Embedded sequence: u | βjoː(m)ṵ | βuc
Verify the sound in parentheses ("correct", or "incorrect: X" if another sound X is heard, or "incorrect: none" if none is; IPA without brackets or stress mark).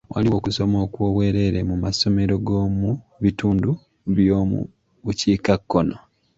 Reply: correct